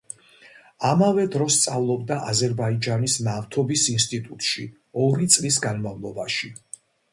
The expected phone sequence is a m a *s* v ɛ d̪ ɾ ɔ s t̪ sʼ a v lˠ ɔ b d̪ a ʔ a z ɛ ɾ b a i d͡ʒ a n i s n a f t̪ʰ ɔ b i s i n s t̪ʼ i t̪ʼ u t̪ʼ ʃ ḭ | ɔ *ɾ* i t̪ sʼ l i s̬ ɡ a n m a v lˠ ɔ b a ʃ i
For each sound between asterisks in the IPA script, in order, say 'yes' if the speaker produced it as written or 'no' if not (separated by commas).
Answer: no, yes